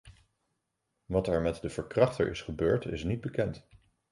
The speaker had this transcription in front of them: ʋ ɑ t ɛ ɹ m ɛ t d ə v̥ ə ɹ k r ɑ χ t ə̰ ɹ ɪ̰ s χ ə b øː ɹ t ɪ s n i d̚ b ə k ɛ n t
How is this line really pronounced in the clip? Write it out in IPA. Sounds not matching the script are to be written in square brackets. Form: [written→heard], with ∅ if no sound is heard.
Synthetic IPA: ʋ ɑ t ɛ ɹ m ɛ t d ə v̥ ə ɹ k r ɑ χ t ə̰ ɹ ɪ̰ s χ ə b øː ɹ t ɪ s n i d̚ b ə k ɛ n t